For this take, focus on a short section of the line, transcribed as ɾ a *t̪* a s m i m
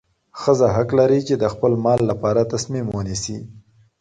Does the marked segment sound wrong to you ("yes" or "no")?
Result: no